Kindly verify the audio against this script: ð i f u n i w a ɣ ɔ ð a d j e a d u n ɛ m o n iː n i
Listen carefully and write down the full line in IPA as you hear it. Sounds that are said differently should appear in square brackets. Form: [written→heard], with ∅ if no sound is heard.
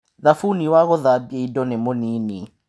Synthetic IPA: ð [i→a] f u n i w a ɣ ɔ ð a [d→b] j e [a→i] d [u→ɔ] n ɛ m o n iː n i